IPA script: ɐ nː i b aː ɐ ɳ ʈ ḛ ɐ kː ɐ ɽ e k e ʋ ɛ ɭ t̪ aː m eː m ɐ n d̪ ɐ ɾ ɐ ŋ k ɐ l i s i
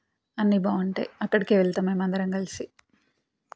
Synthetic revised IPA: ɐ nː i b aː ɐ ɳ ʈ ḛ ɐ kː ɐ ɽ i k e ʋ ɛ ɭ t̪ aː m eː m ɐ n d̪ ɐ ɾ ɐ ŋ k ɐ l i s i